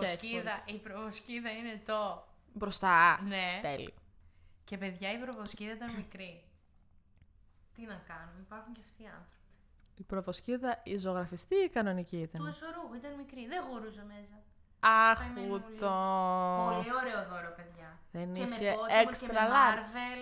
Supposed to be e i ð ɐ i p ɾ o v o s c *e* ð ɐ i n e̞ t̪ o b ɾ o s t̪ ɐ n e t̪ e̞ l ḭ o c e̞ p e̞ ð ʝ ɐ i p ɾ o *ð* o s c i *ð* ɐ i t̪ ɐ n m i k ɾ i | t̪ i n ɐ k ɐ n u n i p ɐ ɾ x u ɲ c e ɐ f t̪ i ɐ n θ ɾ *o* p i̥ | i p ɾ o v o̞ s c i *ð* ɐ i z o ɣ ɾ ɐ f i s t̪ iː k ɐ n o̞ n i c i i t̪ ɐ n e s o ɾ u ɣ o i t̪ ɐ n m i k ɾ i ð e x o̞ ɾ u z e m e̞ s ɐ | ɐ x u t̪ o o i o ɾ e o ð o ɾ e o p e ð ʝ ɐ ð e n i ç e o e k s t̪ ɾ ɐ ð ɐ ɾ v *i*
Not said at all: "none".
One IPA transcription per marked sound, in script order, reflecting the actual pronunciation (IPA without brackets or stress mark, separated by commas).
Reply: i, v, ð, o, ð, e